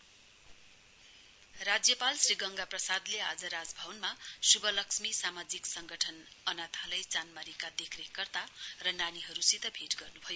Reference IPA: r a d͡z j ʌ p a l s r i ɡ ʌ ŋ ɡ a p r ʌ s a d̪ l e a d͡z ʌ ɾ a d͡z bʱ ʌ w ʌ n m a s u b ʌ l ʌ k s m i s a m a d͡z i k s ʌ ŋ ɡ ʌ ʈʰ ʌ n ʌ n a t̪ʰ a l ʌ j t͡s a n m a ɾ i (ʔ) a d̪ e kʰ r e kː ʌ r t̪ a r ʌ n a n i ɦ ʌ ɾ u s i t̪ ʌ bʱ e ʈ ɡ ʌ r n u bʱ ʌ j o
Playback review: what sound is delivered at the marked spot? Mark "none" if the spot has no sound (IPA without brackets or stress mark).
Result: k